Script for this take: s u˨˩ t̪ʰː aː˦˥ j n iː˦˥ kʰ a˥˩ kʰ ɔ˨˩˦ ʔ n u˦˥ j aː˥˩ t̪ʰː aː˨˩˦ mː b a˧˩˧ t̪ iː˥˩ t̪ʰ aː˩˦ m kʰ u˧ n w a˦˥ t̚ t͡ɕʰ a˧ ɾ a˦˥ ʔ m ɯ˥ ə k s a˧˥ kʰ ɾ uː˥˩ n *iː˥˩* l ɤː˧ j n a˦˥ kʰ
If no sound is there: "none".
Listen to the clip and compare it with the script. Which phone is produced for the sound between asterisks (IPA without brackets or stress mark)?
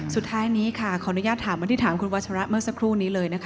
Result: iː˦˥